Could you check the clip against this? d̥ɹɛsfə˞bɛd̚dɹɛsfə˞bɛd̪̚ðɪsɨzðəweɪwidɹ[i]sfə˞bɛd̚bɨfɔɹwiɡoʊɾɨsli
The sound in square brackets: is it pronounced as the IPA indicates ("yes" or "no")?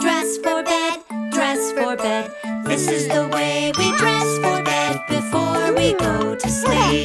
no